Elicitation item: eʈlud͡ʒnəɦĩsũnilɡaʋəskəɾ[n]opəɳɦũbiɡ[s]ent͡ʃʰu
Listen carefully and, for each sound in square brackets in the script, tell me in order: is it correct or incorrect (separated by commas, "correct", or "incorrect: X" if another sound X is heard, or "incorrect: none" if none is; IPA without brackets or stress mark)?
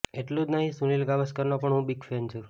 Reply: correct, incorrect: f